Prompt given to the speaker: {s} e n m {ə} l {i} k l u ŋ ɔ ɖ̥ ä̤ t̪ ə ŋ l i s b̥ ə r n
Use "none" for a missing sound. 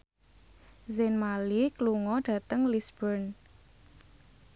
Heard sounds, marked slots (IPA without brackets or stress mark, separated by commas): z, a, i